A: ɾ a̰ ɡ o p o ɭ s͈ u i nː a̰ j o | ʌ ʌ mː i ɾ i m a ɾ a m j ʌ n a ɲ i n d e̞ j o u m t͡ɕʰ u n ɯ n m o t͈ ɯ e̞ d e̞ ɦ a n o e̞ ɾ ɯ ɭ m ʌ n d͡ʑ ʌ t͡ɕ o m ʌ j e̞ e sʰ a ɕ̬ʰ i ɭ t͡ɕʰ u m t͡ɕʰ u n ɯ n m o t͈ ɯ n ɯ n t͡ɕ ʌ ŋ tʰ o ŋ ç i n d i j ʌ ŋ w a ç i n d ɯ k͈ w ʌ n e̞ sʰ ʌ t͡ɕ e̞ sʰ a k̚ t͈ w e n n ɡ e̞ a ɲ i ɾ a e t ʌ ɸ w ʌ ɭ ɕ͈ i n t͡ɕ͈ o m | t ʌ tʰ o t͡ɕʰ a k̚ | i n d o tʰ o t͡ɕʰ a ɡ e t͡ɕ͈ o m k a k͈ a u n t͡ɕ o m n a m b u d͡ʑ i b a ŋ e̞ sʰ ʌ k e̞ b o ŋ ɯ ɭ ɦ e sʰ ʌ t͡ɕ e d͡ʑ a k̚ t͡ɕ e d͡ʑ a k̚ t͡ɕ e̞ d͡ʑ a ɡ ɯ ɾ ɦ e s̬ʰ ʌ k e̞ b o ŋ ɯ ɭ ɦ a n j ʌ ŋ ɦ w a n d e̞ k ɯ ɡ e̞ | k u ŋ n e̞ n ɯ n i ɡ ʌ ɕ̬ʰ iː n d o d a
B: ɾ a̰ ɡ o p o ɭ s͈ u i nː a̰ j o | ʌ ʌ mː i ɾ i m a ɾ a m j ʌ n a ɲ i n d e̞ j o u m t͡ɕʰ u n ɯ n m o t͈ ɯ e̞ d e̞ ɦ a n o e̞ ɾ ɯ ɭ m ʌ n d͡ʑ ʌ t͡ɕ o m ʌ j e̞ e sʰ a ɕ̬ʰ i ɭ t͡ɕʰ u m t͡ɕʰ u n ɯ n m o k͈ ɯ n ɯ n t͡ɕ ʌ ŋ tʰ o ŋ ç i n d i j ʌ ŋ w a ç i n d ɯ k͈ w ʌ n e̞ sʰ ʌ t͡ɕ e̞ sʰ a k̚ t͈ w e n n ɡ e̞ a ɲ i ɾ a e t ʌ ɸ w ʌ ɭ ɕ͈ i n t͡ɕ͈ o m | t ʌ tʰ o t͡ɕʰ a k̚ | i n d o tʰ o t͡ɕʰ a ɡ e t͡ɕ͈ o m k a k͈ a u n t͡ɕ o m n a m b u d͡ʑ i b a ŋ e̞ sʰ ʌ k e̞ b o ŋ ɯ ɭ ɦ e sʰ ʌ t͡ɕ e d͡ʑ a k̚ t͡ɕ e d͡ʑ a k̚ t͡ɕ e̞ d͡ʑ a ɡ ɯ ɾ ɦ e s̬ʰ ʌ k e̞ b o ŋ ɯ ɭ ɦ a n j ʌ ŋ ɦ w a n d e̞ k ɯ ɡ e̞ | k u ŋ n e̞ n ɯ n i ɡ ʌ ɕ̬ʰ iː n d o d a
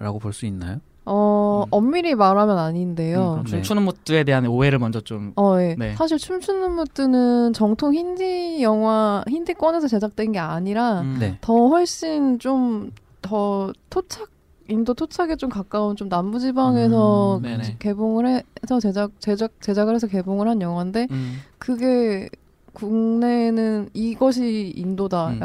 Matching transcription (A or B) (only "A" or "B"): A